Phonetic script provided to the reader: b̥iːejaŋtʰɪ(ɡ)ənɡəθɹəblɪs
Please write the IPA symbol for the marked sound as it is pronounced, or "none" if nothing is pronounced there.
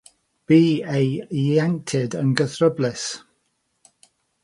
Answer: d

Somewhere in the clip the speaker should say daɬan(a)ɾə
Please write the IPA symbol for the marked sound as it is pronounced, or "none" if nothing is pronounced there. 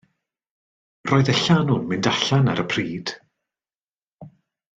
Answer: a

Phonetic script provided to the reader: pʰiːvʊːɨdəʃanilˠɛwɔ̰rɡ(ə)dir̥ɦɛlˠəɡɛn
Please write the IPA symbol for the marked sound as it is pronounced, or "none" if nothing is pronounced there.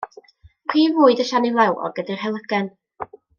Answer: ə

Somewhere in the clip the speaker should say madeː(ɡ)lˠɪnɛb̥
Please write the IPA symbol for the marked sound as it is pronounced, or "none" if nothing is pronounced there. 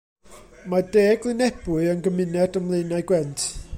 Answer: ɡ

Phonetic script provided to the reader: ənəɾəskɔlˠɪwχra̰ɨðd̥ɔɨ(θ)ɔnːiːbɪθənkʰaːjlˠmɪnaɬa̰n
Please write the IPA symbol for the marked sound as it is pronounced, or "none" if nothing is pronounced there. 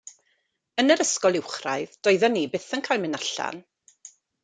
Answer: ð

